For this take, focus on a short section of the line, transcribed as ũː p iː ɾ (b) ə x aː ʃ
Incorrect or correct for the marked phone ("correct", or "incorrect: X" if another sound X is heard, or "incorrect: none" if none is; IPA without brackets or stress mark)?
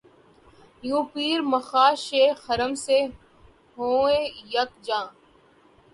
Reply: incorrect: m